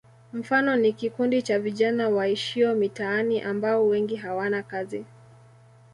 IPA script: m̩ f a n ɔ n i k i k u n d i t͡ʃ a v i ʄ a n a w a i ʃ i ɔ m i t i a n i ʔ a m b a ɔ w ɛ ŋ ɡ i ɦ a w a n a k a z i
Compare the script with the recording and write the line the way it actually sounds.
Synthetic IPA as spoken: m̩ f a n ɔ n i k i k u n d i t͡ʃ a v i ʄ a n a w a i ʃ i ɔ m i t a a n i ʔ a m b a ɔ w ɛ ŋ ɡ i ɦ a w a n a k a z i